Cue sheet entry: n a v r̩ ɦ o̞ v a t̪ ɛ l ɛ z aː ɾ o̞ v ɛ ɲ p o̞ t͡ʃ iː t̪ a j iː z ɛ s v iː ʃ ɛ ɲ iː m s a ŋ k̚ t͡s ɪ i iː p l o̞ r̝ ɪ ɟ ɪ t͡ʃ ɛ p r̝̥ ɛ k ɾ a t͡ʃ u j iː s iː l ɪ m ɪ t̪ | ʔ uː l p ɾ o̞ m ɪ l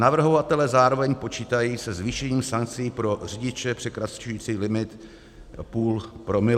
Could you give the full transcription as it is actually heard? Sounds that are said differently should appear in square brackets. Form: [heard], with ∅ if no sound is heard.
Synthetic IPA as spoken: n a v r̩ ɦ o̞ v a t̪ ɛ l ɛ z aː ɾ o̞ v ɛ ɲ p o̞ t͡ʃ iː t̪ a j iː [s] ɛ [z] v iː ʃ ɛ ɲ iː m s a ŋ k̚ t͡s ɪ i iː p [ɾ] o̞ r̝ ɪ ɟ ɪ t͡ʃ ɛ p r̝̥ ɛ k ɾ a t͡ʃ u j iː [t͡s] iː l ɪ m ɪ t̪ | [p] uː l p ɾ o̞ m ɪ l